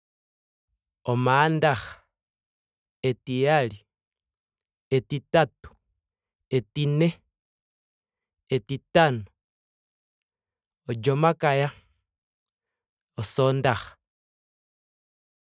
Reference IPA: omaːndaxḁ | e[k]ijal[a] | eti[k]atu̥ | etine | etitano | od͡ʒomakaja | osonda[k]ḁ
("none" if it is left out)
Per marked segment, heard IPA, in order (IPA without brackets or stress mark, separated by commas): t, i, t, x